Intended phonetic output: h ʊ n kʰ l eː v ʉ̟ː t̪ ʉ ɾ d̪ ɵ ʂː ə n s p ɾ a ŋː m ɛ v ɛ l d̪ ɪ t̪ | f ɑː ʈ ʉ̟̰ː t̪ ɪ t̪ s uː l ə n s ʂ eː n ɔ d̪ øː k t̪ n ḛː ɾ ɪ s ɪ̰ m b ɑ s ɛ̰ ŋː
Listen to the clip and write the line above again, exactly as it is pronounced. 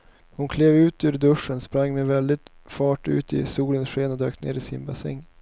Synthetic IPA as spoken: h ʊ n kʰ l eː v ʉ̟ː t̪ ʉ ɾ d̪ ɵ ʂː ə n s p ɾ a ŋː m ɛ v ɛ l d̪ ɪ t̪ | f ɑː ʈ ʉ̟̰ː t̪ ɪ s uː l ə n s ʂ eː n ɔ d̪ øː k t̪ n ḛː ɾ ɪ s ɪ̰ n b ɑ s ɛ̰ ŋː